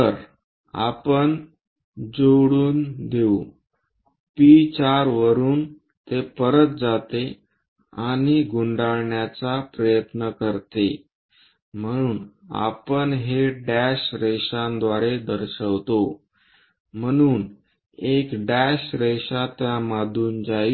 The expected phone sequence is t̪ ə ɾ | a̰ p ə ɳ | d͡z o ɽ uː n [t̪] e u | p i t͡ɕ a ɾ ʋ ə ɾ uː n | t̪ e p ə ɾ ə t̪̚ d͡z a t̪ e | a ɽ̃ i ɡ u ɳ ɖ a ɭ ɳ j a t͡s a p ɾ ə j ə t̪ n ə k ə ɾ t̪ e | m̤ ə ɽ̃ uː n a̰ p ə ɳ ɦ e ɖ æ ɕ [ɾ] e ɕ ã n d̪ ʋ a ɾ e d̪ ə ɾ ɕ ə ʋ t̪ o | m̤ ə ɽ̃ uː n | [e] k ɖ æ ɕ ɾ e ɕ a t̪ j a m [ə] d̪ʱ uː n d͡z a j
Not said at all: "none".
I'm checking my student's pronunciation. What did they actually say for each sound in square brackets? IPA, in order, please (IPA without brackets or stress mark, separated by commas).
d̪, ɾ, e, a